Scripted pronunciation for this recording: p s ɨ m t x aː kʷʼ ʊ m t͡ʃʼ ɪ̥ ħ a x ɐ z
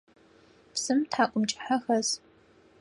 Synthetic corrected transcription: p s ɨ m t ħ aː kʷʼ ʊ m t͡ʃʼ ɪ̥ ħ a x ɐ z

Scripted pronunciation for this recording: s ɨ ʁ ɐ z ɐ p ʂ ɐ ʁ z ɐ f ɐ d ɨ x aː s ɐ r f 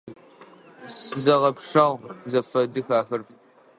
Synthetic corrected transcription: s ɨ z ɐ ʁ ɐ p ʂ ɐ ʁ z ɐ f ɐ d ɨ x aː x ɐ r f

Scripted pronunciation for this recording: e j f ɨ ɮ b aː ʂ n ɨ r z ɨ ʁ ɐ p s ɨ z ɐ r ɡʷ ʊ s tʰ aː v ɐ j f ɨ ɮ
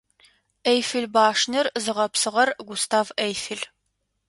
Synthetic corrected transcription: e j f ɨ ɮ b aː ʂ n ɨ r z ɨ ʁ ɐ p s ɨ ʁ ɐ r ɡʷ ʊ s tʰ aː v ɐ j f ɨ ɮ

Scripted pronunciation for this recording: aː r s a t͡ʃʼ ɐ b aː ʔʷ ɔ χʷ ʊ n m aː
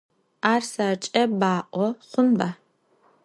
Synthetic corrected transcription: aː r s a t͡ʃʼ ɐ b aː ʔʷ ɔ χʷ ʊ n b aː

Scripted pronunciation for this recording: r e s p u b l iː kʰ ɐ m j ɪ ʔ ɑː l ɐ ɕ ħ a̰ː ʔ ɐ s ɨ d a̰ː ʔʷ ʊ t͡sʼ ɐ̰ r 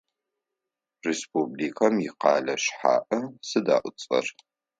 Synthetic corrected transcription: r e s p u b l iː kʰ ɐ m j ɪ q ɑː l ɐ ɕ ħ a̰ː ʔ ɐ s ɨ d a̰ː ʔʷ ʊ t͡sʼ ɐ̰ r

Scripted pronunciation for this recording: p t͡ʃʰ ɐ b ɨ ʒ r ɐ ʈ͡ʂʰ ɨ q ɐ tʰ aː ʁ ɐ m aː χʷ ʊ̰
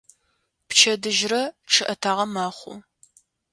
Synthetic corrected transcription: p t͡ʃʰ ɐ d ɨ ʒ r ɐ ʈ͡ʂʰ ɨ ʔ ɐ tʰ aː ʁ ɐ m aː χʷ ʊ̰

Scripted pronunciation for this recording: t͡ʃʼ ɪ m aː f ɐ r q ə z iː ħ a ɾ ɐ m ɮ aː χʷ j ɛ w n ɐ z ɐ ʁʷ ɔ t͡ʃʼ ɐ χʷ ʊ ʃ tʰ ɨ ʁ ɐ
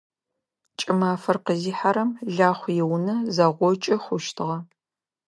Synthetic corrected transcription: t͡ʃʼ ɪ m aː f ɐ r q ə z iː ħ a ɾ ɐ m ɮ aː χʷ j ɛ w n ɐ z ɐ ʁʷ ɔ t͡ʃʼ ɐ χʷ ʊ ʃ tʰ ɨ ʁ ɐ

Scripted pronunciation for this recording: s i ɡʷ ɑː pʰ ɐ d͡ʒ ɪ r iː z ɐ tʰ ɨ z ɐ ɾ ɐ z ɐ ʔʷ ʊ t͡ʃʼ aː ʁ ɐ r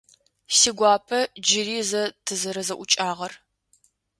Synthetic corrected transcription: s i ɡʷ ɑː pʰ ɐ d͡ʒ ɪ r iː z ɐ tʰ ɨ z ɐ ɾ ɐ z ɐ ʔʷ ʊ t͡ʃʼ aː ʁ ɐ r

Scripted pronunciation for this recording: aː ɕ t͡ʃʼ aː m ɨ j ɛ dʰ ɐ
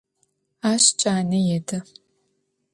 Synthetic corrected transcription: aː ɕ t͡ʃʼ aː n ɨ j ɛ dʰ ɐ

